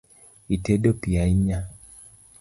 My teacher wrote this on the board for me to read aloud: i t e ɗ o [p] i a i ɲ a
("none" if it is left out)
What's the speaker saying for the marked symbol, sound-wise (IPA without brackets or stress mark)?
p